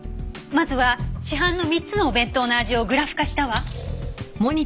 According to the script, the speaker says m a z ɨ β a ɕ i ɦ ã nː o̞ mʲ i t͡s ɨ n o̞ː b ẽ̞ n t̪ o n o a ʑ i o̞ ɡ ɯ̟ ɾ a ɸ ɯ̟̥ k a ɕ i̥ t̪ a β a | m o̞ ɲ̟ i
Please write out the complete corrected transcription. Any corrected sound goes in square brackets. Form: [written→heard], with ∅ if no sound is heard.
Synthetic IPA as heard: m a z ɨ β a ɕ i ɦ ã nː o̞ mʲ i t͡s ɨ n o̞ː b ẽ̞ n t̪ o n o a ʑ i o̞ ɡ ɯ̟ ɾ a ɸ ɯ̟̥ k a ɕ i̥ t̪ a β a | m o̞ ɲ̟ i